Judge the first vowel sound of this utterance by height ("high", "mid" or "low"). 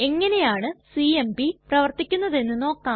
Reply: mid